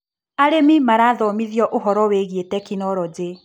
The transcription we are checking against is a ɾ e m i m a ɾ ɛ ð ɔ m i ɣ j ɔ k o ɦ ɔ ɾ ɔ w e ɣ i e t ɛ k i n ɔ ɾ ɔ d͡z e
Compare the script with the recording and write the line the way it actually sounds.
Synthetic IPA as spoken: a ɾ e m i m a ɾ a ð ɔ m i ð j ɔ ʔ o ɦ ɔ ɾ ɔ w e ɣ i e t ɛ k i n ɔ ɾ ɔ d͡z e